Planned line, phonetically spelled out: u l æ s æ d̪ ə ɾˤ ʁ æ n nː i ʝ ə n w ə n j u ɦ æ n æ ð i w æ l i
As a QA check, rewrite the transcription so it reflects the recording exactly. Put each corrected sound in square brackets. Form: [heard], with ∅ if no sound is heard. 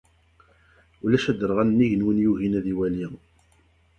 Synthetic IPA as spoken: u l æ [ʃ] æ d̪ ə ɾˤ ʁ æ n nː i ʝ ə n w ə n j u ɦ [i] n æ ð i w æ l i